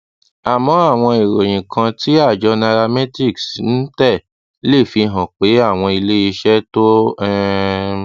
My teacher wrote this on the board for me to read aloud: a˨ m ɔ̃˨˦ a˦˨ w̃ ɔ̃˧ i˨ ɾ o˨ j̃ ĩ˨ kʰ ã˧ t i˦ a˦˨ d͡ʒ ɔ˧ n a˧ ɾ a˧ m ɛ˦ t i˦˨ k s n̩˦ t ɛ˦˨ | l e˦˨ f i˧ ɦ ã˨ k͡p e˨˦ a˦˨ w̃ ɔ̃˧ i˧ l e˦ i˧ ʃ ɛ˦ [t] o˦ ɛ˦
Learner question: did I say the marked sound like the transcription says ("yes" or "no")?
yes